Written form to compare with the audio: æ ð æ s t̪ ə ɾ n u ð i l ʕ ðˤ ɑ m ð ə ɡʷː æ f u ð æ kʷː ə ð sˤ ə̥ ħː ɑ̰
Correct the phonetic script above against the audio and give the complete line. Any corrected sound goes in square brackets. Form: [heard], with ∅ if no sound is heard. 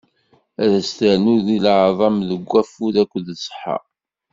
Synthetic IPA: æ ð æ s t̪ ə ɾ n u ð i l ʕ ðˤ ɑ m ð ə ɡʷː æ f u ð æ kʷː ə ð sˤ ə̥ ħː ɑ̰